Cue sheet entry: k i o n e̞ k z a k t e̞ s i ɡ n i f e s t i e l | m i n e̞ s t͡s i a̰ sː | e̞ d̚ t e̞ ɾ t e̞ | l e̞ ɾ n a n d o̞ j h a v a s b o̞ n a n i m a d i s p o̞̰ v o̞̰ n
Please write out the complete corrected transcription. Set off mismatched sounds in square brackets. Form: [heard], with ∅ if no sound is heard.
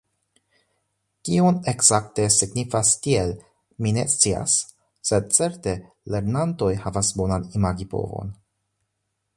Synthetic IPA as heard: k i o n e̞ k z a k t e̞ s i ɡ n i f [a] s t i e l | m i n e̞ s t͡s i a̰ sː | e̞ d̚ [t͡s] e̞ ɾ t e̞ | l e̞ ɾ n a n [t] o̞ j h a v a s b o̞ n a n i m a [ɡ] i [∅] p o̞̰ v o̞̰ n